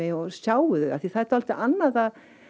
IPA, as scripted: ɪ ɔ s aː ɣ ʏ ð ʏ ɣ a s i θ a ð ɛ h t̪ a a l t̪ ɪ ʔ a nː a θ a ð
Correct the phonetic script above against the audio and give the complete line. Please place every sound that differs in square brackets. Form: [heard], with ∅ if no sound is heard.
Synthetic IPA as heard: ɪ ɔ s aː [w] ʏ ð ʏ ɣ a [θ] i θ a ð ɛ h t̪ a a l t̪ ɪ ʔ a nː a [ð] a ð